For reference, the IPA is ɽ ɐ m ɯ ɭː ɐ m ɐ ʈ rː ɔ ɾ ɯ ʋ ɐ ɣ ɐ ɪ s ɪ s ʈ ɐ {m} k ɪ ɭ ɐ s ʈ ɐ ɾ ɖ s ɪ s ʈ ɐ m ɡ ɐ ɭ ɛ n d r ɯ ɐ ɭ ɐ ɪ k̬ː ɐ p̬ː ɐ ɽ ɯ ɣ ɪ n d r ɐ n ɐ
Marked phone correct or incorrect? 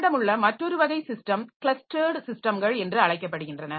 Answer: correct